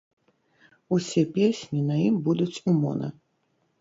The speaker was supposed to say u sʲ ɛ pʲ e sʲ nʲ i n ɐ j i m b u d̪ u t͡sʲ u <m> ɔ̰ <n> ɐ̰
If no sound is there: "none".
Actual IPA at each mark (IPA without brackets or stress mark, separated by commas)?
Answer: m, n